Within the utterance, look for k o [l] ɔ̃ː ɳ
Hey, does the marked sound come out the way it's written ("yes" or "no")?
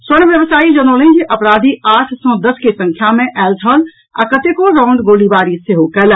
no